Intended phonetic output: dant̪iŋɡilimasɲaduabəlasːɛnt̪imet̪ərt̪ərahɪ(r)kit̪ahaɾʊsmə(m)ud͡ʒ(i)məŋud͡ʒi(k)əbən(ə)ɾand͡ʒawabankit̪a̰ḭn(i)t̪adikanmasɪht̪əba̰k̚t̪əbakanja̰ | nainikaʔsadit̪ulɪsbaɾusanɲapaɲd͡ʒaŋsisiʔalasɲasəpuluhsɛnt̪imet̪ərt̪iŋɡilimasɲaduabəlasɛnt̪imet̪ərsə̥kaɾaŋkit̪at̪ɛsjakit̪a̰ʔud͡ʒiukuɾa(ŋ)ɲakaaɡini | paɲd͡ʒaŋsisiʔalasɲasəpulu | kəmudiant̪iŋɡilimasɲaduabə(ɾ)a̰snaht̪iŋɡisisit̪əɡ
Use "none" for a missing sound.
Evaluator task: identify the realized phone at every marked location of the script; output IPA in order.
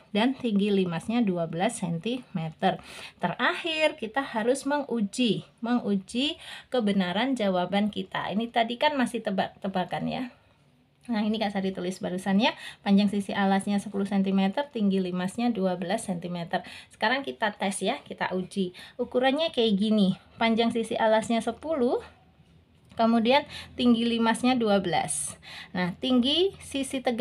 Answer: r, ŋ, i, k, a, i, n, l

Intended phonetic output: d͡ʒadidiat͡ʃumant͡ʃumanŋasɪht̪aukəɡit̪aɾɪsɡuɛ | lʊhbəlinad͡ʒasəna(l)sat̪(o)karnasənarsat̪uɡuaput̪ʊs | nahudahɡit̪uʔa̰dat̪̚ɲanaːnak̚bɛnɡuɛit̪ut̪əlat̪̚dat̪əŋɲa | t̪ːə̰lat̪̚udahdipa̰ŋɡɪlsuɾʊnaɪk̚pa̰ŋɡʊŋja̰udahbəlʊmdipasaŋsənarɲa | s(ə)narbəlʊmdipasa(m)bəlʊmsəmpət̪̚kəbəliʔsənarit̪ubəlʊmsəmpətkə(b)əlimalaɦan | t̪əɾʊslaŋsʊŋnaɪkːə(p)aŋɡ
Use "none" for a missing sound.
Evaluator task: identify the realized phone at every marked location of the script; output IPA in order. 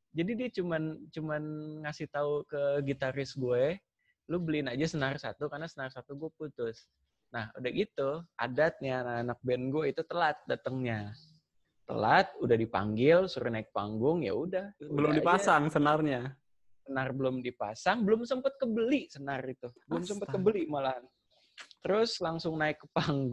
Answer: r, u, ə, ŋ, b, p

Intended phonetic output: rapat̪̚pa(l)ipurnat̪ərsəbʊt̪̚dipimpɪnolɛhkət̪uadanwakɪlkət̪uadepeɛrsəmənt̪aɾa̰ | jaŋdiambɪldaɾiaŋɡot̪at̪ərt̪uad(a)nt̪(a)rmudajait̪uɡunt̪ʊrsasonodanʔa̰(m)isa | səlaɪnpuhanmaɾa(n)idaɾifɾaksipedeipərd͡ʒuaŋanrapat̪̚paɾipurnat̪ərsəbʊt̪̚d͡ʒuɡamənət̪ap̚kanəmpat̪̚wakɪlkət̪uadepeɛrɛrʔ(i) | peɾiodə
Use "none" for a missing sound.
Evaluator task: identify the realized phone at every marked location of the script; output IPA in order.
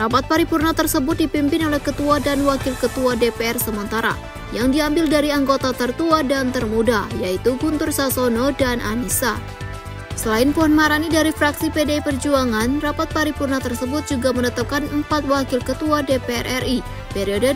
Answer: ɾ, a, ə, n, n, i

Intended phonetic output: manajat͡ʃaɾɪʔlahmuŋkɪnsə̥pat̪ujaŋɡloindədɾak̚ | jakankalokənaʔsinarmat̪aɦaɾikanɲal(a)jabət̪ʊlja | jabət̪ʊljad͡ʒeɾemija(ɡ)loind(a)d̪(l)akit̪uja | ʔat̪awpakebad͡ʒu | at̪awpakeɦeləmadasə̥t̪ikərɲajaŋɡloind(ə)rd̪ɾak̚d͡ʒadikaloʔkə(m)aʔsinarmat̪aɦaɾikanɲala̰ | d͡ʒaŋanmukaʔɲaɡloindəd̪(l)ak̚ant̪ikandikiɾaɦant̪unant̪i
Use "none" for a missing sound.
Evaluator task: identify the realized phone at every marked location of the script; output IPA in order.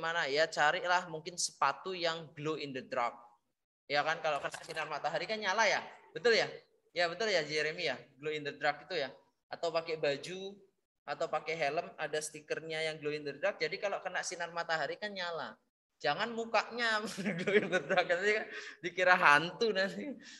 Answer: a, ɡ, ə, ɾ, ə, n, ɾ

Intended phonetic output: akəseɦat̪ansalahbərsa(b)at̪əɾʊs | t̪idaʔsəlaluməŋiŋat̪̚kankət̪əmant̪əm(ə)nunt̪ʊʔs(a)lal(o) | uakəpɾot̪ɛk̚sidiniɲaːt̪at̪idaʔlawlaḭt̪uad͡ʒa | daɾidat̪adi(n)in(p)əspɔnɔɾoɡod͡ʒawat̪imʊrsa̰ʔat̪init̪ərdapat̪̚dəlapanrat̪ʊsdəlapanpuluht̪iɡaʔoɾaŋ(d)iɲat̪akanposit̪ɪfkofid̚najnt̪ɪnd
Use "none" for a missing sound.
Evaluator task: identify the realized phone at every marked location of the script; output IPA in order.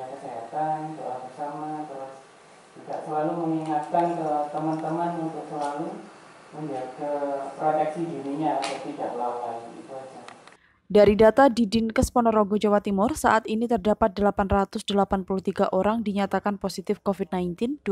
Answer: m, a, ə, u, d, k, d

